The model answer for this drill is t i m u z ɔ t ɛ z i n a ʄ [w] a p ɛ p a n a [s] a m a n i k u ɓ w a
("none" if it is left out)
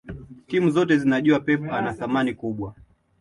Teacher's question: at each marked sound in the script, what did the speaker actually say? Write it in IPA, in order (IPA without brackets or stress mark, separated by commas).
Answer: u, θ